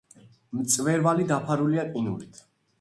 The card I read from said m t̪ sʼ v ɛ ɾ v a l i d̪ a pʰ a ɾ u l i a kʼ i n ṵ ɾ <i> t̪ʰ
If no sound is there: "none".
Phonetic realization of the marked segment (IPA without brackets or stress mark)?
i